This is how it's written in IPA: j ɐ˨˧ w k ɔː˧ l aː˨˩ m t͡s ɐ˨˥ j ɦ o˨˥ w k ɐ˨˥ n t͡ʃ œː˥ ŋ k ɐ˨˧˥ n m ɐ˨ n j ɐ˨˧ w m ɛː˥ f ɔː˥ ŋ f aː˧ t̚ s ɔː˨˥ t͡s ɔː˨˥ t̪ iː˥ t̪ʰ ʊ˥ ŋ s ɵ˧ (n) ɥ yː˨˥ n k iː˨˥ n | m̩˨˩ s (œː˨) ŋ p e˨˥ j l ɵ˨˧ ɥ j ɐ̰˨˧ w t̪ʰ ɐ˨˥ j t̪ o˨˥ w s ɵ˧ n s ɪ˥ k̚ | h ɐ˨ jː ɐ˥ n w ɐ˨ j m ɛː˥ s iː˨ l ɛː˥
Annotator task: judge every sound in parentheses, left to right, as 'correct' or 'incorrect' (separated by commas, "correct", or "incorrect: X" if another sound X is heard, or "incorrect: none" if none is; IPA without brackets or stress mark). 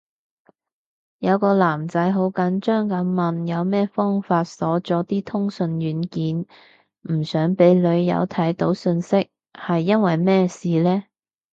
correct, incorrect: œː˨˥